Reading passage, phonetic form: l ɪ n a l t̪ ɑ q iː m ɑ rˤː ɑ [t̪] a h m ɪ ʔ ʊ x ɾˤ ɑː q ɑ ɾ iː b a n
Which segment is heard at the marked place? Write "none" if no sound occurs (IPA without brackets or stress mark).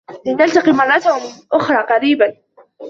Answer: t̪